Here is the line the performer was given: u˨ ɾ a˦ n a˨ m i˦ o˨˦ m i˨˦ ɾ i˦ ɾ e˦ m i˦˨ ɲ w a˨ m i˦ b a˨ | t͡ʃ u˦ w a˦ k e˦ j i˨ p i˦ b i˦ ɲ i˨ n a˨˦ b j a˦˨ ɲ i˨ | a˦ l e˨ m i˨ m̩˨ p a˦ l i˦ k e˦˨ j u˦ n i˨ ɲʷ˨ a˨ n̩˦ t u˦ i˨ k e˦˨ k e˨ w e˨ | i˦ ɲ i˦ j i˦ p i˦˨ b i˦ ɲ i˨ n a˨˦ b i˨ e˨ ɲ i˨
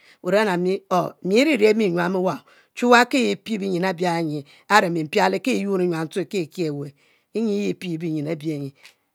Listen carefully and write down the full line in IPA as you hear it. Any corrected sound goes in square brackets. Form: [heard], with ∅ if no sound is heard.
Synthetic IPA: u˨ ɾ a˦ n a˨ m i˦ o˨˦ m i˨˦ ɾ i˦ ɾ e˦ m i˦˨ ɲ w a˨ m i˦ [w] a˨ | t͡ʃ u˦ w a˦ k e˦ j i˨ p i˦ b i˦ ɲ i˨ n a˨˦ b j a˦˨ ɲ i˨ | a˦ [ɾ] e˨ m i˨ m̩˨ p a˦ l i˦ k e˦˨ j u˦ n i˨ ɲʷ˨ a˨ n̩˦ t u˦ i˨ k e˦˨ k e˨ w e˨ | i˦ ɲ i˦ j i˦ p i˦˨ b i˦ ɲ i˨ n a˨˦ b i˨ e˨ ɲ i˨

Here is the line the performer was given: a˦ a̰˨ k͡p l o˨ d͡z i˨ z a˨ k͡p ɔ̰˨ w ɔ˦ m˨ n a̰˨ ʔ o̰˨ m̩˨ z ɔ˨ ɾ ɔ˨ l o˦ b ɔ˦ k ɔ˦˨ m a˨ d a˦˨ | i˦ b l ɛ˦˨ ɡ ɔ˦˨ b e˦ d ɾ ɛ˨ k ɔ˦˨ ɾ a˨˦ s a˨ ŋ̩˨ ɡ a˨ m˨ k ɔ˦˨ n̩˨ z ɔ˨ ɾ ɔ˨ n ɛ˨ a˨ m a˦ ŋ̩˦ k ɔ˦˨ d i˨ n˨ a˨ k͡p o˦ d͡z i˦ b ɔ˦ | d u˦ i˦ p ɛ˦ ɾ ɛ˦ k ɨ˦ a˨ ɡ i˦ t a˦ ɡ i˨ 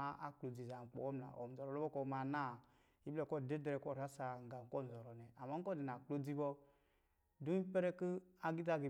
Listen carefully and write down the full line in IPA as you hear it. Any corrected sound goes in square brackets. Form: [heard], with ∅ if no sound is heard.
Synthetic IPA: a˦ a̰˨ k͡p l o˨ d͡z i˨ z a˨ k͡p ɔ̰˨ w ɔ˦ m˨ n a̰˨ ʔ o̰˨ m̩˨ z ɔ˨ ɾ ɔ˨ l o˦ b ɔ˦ k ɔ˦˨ m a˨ [n] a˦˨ | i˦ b l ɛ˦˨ [k] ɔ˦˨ [d] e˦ d ɾ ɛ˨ k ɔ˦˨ ɾ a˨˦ s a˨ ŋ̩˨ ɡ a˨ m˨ k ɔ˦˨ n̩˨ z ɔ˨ ɾ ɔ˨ n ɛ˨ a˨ m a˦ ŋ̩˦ k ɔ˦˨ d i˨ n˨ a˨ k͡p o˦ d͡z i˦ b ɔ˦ | d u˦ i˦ p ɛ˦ ɾ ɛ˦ k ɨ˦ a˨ ɡ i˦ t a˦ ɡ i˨

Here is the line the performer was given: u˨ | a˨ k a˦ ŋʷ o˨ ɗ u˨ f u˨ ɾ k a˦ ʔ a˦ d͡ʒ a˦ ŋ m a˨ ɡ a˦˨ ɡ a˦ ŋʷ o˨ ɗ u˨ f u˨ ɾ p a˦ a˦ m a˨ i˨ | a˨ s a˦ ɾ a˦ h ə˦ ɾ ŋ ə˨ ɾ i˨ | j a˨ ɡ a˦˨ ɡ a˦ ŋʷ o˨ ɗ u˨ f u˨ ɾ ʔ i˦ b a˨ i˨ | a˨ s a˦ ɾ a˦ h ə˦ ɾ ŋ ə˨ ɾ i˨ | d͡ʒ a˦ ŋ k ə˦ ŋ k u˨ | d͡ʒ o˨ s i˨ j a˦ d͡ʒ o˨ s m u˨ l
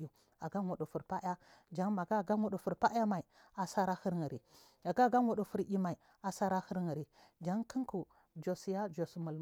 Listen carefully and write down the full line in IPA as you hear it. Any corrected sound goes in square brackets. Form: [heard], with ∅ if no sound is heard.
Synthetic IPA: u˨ | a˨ [ɡ] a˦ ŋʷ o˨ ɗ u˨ f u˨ ɾ [p] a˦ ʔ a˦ d͡ʒ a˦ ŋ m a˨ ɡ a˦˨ ɡ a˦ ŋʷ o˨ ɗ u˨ f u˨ ɾ p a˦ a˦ m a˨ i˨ | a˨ s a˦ ɾ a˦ h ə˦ ɾ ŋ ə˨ ɾ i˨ | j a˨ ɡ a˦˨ ɡ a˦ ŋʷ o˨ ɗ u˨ f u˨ ɾ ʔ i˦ [m] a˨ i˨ | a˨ s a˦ ɾ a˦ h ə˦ ɾ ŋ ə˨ ɾ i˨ | d͡ʒ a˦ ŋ k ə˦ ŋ k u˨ | d͡ʒ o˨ s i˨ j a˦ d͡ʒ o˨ s m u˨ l

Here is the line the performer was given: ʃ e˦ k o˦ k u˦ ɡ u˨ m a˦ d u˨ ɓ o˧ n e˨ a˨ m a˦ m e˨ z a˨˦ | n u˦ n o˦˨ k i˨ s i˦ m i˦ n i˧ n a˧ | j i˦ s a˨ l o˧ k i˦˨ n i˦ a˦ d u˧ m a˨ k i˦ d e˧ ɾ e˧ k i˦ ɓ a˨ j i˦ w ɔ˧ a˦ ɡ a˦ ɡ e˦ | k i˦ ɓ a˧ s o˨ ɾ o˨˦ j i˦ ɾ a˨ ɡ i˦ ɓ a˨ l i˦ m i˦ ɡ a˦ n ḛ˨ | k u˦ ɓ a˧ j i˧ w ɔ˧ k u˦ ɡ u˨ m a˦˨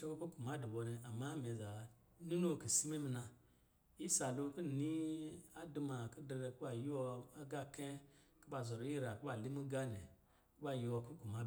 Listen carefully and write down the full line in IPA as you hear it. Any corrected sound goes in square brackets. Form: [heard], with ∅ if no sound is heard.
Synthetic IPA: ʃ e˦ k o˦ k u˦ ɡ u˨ m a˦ d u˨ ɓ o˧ n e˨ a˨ m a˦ m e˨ z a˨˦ | n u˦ n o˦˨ k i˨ s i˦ m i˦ [m] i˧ n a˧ | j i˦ s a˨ l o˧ k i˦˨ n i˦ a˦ d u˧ m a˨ k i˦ d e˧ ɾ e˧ k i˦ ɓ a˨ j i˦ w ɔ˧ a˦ ɡ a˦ [k] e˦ | k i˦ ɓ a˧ [z] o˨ ɾ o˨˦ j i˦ ɾ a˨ [k] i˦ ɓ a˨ l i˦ m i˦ ɡ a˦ n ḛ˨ | k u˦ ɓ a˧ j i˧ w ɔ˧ k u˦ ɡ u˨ m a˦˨

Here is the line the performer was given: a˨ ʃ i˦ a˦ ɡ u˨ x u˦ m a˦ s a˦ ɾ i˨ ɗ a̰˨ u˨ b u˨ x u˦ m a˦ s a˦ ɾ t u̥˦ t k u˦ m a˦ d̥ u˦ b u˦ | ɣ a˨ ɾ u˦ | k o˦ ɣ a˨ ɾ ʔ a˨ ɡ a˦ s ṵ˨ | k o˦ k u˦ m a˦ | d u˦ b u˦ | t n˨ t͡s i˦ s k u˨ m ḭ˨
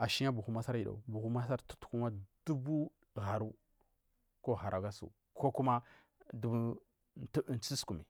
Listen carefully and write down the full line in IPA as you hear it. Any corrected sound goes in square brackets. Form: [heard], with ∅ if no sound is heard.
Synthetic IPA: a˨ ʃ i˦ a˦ [b] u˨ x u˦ m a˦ s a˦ ɾ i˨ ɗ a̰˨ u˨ b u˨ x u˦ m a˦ s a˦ ɾ t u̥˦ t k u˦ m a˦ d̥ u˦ b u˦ | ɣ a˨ ɾ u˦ | k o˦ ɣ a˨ ɾ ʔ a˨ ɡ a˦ s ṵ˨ | k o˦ k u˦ m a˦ | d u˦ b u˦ | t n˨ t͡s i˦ s k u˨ m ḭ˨

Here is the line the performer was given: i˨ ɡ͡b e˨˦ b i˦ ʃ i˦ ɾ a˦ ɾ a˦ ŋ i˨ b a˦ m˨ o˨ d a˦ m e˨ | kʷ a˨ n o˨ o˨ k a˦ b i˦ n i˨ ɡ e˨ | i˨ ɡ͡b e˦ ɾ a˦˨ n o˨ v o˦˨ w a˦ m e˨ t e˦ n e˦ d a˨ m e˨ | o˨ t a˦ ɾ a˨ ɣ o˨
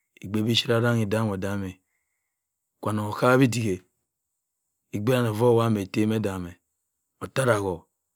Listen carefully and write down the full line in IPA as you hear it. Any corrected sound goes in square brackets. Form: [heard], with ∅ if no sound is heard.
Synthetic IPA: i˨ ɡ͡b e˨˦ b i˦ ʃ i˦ ɾ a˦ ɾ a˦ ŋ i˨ [d] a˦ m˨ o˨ d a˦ m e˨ | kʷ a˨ n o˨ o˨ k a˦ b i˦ [d] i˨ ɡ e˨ | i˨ ɡ͡b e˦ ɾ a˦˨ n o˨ v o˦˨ w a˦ m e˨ t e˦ [m] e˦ d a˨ m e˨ | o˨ t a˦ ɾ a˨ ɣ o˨

